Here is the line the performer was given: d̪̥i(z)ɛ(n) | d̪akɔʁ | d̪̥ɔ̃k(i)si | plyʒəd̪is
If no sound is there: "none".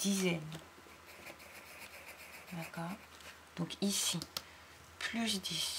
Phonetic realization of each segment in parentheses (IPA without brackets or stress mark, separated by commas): z, n, i